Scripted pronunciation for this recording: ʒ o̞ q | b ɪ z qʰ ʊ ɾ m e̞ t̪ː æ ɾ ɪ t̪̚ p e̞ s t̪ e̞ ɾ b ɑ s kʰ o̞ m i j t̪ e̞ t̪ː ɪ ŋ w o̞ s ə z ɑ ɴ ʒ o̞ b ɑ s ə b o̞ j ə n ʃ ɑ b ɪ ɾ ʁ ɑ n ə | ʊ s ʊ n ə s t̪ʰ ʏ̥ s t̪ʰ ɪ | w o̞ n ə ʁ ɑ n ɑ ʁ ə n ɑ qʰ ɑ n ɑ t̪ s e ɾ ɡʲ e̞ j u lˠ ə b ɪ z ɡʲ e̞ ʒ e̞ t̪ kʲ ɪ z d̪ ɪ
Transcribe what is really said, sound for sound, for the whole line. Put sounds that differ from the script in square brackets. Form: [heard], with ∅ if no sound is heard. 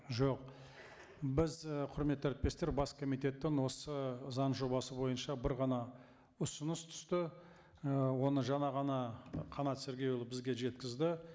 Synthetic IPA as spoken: ʒ o̞ q | b ɪ z qʰ ʊ ɾ m e̞ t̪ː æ ɾ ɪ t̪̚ p e̞ s t̪ e̞ ɾ b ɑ s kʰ o̞ m i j t̪ e̞ t̪ː ɪ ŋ w o̞ s ə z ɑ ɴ ʒ o̞ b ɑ s ə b o̞ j ə n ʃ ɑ b ɪ ɾ ʁ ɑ n [ɑ] | ʊ s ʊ n ə s t̪ʰ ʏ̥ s [t̪] ɪ | w o̞ n ə [ʒ] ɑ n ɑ ʁ [ɑ] n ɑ qʰ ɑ n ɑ t̪ s e ɾ ɡʲ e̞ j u lˠ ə b ɪ z ɡʲ e̞ ʒ e̞ t̪ kʲ ɪ z d̪ ɪ